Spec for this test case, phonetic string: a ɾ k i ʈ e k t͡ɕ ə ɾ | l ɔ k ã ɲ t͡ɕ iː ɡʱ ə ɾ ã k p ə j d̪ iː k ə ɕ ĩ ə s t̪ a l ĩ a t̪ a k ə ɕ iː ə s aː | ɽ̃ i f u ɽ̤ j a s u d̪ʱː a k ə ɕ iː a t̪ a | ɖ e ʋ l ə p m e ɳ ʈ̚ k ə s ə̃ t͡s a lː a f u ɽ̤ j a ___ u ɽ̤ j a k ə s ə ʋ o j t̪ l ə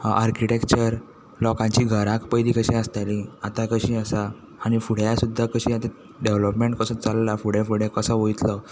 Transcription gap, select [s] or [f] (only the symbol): f